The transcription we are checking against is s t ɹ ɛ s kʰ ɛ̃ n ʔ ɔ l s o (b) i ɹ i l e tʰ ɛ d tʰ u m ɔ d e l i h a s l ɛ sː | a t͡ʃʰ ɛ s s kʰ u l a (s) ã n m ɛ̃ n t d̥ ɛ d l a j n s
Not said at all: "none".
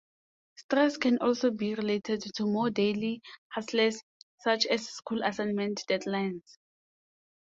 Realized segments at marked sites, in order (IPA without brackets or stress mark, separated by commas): b, s